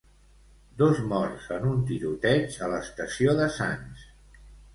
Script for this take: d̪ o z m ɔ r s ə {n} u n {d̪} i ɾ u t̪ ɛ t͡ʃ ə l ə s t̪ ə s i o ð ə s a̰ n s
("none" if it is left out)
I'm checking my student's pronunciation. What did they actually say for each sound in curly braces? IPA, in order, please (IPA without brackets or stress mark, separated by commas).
n, t̪